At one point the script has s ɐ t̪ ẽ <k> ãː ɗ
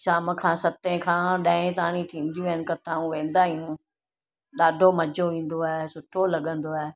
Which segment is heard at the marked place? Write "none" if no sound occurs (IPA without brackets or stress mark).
kʰ